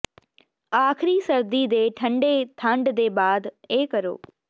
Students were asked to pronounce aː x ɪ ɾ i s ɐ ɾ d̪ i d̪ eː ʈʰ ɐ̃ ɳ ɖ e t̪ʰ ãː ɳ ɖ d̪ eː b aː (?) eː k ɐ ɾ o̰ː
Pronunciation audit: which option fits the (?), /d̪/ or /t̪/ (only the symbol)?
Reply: d̪